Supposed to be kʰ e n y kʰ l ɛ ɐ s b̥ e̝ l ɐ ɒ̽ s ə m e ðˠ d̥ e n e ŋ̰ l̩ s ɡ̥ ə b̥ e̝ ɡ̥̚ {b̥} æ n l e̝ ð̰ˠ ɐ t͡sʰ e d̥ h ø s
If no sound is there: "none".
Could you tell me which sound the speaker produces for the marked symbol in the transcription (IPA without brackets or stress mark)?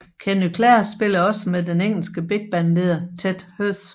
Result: b̥